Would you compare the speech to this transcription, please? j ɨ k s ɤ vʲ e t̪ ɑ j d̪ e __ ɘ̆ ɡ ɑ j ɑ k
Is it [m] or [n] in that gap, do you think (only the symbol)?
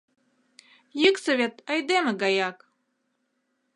m